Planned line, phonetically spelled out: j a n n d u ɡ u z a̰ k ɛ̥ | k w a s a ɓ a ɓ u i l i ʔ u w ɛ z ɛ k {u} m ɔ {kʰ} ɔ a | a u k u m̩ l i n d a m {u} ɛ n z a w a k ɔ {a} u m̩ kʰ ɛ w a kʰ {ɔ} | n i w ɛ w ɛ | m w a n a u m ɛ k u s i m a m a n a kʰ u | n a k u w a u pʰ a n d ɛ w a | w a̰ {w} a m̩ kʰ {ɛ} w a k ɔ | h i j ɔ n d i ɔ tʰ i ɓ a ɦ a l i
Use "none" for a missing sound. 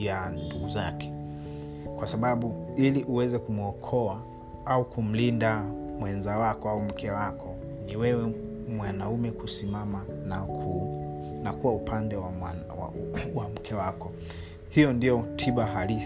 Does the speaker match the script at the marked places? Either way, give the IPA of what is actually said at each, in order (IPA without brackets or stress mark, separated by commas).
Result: u, kʰ, w, a, ɔ, w, ɛ